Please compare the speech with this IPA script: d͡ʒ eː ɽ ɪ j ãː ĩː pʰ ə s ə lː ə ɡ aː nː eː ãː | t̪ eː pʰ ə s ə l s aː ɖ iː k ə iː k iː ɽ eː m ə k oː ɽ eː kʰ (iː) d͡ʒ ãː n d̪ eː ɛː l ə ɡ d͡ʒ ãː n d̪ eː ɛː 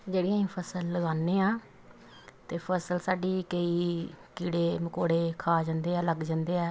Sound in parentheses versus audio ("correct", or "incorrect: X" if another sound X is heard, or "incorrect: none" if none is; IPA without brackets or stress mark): incorrect: aː